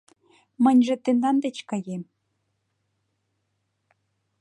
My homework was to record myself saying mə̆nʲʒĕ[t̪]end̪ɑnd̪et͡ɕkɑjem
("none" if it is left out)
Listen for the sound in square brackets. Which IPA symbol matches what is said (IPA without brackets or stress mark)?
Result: t̪